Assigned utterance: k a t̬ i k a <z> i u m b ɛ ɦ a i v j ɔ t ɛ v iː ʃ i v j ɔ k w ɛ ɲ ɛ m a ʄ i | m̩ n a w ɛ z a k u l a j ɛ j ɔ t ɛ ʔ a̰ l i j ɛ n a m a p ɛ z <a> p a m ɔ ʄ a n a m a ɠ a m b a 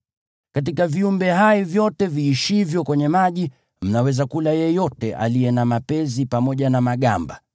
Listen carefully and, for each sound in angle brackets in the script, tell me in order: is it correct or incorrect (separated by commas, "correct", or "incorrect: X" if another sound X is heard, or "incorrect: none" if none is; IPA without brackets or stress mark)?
incorrect: v, incorrect: i